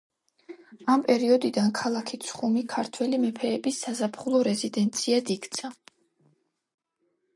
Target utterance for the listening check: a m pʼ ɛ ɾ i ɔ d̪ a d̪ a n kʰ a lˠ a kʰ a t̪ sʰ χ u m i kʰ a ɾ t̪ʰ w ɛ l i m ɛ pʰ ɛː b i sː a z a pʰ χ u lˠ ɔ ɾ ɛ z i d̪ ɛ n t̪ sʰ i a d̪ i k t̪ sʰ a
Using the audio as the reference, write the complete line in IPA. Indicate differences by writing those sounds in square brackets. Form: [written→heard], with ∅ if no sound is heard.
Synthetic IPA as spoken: a m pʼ ɛ ɾ i ɔ d̪ [a→i] d̪ a n kʰ a lˠ a kʰ [a→i] t̪ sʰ χ u m i kʰ a ɾ t̪ʰ w ɛ l i m ɛ pʰ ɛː b i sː a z a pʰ χ u lˠ ɔ ɾ ɛ z i d̪ ɛ n t̪ sʰ i a d̪ i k t̪ sʰ a